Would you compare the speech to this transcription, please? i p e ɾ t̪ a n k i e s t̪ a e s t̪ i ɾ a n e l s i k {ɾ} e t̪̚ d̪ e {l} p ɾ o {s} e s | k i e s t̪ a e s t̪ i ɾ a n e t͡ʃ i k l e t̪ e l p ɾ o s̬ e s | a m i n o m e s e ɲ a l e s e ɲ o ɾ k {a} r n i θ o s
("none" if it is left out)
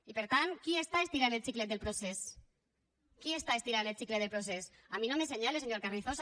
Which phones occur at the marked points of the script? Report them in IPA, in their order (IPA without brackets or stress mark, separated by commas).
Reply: l, l, s, a